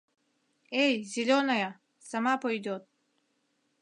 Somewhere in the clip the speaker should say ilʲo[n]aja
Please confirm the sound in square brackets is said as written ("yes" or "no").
yes